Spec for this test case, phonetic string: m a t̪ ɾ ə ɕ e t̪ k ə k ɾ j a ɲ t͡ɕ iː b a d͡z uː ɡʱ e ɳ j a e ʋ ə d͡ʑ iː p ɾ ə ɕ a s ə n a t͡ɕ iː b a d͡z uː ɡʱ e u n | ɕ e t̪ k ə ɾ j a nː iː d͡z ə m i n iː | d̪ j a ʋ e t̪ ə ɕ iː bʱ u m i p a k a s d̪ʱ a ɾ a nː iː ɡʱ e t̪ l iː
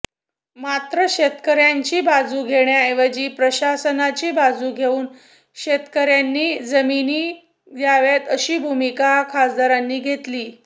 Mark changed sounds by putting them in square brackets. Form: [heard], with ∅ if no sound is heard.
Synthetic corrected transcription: m a t̪ ɾ ə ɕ e t̪ k ə [∅] ɾ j a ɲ t͡ɕ iː b a d͡z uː ɡʱ e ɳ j a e ʋ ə d͡ʑ iː p ɾ ə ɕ a s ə n a t͡ɕ iː b a d͡z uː ɡʱ e [uː] n | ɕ e t̪ k ə ɾ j a nː iː d͡z ə m i n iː | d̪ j a ʋ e t̪ ə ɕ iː bʱ u m i [k] a [kʰ] a s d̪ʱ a ɾ a nː iː ɡʱ e t̪ l iː